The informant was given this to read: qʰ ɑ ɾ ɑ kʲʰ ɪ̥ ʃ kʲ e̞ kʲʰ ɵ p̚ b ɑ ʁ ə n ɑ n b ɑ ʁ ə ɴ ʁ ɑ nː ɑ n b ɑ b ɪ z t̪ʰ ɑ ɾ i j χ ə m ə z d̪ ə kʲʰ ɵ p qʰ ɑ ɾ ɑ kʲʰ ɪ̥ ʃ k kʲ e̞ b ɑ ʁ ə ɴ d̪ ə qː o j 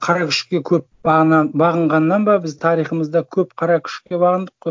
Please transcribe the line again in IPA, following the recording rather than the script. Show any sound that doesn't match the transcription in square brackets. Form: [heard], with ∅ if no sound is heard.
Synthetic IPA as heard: qʰ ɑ ɾ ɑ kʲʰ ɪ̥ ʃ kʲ e̞ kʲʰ ɵ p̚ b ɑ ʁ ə n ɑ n b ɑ ʁ ə ɴ ʁ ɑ nː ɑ n b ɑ b ɪ z t̪ʰ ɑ ɾ i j χ ə m ə z d̪ [ɑ] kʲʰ ɵ p qʰ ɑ ɾ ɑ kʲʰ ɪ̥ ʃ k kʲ e̞ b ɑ ʁ ə [n] d̪ ə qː o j